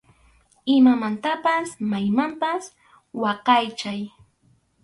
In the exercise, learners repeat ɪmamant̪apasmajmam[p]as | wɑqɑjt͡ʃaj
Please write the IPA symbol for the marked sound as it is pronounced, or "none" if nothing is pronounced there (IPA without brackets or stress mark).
p